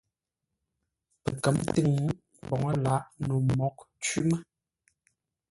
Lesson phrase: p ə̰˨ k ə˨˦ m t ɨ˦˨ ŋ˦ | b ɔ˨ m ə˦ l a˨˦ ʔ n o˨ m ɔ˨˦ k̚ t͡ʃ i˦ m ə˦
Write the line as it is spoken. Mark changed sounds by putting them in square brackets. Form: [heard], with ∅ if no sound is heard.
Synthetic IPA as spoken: p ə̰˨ k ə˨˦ m t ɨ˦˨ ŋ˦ | b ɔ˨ [ŋ] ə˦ l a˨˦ ʔ n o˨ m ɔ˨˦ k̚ t͡ʃ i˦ m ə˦